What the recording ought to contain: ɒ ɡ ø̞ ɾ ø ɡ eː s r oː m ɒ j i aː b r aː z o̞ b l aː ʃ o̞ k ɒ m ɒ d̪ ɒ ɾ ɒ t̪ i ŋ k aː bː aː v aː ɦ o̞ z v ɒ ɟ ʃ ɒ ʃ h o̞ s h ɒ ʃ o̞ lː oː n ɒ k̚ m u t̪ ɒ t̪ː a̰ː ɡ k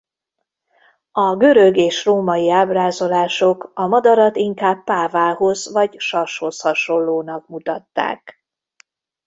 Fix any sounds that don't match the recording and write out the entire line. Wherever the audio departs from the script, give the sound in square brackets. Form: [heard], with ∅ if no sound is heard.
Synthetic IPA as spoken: ɒ ɡ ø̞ ɾ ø ɡ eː [ʃ] r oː m ɒ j i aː b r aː z o̞ [∅] l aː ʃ o̞ k ɒ m ɒ d̪ ɒ ɾ ɒ t̪ i ŋ k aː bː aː v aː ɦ o̞ z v ɒ ɟ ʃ ɒ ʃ h o̞ s h ɒ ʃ o̞ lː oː n ɒ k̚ m u t̪ ɒ t̪ː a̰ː [∅] k